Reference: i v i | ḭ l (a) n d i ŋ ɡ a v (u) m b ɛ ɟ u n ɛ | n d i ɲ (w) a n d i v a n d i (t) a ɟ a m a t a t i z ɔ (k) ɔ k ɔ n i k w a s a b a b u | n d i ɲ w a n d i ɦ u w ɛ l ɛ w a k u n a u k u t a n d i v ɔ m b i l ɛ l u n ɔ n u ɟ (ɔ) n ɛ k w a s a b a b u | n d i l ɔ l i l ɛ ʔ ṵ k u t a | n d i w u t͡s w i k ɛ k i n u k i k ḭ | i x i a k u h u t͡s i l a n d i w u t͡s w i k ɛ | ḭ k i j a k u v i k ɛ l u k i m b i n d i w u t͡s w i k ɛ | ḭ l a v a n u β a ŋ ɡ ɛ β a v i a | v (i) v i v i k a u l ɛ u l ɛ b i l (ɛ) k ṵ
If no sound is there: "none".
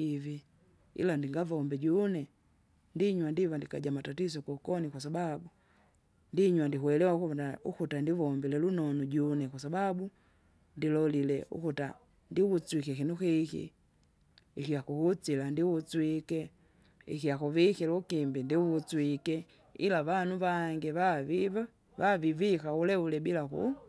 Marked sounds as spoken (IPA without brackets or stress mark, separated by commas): a, ɔ, w, k, k, u, a, a